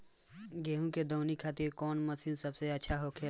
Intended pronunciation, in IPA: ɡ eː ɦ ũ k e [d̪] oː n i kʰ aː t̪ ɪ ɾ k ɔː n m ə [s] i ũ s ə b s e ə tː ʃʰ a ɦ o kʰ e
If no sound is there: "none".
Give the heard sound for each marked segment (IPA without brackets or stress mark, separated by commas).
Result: d̪, s